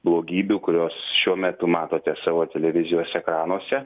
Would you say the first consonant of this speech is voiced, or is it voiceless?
voiced